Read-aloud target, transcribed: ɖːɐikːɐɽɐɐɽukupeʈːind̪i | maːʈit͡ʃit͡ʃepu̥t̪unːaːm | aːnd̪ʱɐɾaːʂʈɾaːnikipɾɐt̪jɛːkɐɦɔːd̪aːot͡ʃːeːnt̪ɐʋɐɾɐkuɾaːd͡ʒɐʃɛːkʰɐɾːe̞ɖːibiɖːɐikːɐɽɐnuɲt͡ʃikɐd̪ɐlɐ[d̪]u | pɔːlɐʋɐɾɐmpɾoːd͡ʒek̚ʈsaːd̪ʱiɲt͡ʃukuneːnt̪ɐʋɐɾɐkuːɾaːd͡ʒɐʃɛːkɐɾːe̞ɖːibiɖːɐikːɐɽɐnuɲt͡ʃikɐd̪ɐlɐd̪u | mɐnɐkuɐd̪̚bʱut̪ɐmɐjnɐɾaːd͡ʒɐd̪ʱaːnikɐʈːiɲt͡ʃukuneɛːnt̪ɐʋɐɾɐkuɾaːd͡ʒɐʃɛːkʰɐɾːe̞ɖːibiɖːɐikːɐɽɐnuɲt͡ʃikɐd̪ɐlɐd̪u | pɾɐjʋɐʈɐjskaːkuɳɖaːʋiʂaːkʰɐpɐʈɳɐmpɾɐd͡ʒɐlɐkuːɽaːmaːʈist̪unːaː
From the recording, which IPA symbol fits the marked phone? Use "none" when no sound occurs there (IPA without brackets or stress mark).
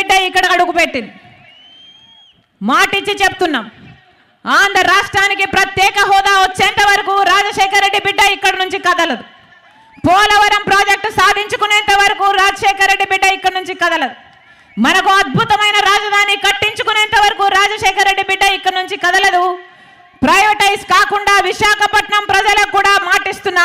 d̪